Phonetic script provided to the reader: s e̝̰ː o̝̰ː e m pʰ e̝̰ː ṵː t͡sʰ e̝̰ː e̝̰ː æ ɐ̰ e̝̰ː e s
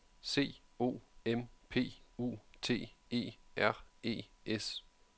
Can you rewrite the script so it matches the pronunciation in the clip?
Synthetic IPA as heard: s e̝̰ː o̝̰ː e m pʰ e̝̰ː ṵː t͡sʰ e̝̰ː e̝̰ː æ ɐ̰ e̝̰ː e s